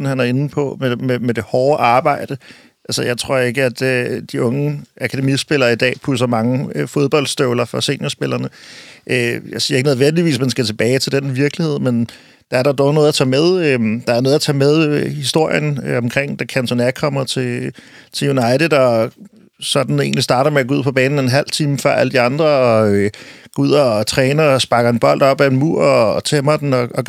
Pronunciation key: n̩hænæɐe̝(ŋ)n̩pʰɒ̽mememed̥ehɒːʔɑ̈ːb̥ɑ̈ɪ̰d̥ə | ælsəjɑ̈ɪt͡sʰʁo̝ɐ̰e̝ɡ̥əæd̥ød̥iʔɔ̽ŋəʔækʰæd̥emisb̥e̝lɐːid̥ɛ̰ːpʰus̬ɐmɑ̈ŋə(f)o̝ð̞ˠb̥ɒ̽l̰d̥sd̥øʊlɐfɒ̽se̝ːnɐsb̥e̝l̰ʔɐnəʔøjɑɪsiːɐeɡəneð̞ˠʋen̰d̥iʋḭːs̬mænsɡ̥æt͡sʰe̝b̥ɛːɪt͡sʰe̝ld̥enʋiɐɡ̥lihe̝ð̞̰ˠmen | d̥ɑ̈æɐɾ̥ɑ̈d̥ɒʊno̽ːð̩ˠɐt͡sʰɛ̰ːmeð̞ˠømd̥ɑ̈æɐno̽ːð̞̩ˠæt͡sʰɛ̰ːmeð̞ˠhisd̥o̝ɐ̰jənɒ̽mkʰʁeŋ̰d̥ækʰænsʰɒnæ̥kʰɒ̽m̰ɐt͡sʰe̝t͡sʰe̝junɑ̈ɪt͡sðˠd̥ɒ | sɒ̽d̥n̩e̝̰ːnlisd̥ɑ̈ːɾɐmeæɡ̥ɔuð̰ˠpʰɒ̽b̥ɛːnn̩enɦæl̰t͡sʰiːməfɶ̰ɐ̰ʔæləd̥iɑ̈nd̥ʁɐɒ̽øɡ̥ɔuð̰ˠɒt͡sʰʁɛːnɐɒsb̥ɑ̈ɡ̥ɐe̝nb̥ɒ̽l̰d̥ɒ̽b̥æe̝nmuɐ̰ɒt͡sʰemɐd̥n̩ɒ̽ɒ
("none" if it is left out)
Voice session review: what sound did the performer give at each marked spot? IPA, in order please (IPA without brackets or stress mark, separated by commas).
n, f